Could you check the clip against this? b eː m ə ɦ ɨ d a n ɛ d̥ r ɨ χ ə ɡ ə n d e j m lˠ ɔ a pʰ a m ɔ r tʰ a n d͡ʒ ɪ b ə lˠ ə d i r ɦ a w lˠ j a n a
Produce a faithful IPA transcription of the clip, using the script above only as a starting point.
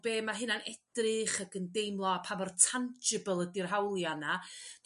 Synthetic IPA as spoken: b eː m a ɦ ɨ n a n ɛ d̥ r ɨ χ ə ɡ ə n d e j m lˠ ɔ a pʰ a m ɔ r tʰ a n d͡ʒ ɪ b ə lˠ ə d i r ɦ a w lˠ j a n a